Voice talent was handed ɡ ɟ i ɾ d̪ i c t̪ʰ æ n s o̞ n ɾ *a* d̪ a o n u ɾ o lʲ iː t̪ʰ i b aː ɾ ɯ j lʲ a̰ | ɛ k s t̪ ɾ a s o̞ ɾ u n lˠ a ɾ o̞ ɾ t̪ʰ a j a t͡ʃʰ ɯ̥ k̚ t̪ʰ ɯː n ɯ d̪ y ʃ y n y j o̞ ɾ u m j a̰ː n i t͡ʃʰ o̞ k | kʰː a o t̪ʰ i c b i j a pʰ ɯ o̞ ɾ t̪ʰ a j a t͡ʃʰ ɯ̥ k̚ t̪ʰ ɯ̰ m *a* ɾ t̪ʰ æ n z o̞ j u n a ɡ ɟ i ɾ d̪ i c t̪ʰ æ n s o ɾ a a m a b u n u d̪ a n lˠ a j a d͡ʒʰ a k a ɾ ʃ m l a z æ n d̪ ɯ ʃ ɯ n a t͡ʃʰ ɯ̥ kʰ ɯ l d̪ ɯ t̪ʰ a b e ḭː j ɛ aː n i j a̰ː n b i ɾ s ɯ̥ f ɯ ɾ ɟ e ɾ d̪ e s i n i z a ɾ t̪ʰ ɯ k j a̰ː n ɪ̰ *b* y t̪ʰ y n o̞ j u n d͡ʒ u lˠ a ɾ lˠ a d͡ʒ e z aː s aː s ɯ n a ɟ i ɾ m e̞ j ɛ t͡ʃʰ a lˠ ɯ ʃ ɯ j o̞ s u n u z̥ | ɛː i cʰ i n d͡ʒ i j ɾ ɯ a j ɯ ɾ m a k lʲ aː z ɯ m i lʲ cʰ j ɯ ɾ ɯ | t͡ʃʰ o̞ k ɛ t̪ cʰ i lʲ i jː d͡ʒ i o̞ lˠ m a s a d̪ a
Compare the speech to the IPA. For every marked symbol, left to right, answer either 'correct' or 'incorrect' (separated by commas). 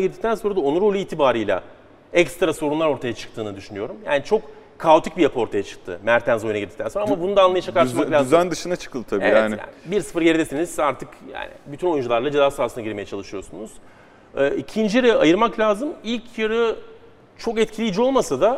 correct, incorrect, correct